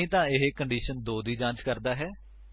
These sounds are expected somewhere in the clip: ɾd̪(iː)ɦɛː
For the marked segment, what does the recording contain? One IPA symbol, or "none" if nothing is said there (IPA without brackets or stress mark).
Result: aː